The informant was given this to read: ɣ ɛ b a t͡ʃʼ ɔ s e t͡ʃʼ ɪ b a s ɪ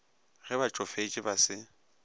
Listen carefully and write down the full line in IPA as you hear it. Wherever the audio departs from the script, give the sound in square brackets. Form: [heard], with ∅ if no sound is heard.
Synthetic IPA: ɣ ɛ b a t͡ʃʼ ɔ [f] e t͡ʃʼ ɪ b a s ɪ